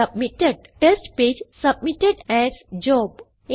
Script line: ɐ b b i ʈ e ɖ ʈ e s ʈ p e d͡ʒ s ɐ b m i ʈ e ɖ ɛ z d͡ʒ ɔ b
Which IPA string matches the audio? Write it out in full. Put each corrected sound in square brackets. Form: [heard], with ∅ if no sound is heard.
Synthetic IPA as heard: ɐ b [m] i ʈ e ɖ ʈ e s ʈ p e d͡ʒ s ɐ b m i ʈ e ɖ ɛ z d͡ʒ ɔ b